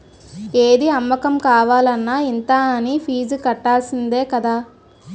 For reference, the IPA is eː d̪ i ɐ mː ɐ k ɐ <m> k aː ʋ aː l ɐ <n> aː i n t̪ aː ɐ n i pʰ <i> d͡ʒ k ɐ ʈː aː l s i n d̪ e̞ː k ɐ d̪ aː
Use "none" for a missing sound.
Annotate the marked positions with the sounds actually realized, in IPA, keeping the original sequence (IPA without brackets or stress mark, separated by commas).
m, nː, iː